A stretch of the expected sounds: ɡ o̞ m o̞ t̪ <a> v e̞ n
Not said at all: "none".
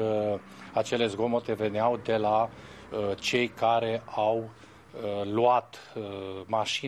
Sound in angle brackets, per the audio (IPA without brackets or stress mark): e